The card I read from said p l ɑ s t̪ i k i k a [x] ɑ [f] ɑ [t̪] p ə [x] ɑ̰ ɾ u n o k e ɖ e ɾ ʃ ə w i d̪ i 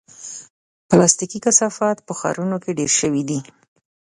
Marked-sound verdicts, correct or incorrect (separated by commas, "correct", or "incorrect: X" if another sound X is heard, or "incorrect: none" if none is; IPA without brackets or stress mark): incorrect: s, correct, correct, correct